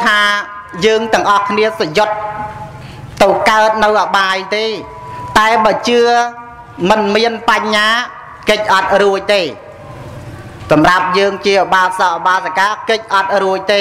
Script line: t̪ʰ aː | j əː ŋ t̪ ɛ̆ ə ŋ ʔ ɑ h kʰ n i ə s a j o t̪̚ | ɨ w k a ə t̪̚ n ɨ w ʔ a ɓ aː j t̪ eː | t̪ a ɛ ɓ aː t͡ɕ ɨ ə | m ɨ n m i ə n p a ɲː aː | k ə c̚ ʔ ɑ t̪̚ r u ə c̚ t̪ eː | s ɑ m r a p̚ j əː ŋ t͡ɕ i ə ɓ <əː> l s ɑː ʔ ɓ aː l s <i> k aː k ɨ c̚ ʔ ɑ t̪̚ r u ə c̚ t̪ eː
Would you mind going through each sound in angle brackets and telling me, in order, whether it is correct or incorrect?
incorrect: aː, incorrect: a

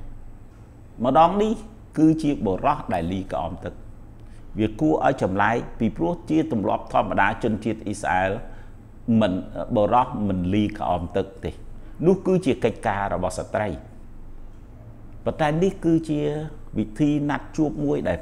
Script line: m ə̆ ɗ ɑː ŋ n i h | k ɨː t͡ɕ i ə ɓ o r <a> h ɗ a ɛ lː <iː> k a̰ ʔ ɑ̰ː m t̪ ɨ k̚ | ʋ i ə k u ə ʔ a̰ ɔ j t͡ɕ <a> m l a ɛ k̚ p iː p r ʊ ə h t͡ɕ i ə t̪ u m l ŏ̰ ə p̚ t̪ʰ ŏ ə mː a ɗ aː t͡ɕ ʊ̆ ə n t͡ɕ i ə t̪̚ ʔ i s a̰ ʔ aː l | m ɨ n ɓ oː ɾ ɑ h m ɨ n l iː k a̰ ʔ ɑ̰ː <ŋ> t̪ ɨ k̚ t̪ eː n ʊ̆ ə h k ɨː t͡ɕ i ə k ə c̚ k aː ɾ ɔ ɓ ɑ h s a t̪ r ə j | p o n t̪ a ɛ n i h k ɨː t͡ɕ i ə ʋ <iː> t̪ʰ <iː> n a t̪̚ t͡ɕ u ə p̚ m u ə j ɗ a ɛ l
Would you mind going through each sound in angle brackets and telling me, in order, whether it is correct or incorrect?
incorrect: ɑ, correct, incorrect: ɑ, incorrect: m, incorrect: i, correct

